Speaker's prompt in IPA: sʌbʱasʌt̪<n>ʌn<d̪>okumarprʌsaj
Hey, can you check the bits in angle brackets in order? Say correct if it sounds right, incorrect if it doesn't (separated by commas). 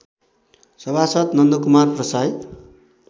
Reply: correct, correct